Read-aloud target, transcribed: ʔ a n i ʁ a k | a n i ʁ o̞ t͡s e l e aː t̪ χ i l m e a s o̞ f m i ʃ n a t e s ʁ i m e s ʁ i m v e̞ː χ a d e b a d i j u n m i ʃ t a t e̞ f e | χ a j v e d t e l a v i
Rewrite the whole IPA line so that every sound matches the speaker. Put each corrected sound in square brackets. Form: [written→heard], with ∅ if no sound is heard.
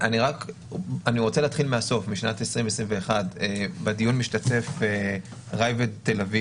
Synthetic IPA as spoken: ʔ a n i ʁ a k | a n i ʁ o̞ t͡s e l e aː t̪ χ i l m e a s o̞ f m i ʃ n a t e s ʁ i m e s ʁ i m v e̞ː χ a d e b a d i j u n m i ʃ t a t e̞ f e | [χ→ʁ] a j v e d t e l a v i